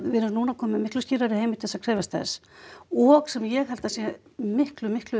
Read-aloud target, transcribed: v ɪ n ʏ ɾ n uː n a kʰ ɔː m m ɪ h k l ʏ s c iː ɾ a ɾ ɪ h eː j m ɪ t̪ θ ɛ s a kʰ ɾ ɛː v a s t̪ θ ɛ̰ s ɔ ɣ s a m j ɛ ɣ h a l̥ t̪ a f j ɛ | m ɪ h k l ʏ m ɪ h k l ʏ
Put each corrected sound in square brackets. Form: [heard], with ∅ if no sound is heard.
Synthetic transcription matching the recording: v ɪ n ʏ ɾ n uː n a kʰ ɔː m m ɪ h k l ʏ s c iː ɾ a ɾ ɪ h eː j m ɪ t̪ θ ɛ s a kʰ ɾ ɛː v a s t̪ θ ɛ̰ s ɔ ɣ s [ɛ] m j ɛ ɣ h a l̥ t̪ a [s] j ɛ | m ɪ h k l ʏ m ɪ h k l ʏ